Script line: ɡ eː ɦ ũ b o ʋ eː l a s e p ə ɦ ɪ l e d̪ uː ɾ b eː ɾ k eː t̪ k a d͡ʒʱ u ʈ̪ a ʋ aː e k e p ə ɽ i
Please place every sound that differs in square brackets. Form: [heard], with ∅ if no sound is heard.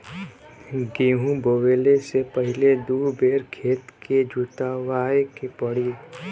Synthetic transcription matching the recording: ɡ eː ɦ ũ b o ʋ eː l [e] s e p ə ɦ ɪ l e d̪ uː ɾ b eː ɾ [kʰ] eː t̪ k [e] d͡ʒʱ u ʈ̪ a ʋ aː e k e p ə ɽ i